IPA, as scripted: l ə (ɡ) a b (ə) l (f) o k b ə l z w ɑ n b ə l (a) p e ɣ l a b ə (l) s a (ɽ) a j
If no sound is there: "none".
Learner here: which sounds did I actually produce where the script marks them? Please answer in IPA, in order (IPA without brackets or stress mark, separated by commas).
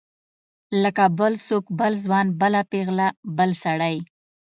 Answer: k, ə, s, a, l, ɽ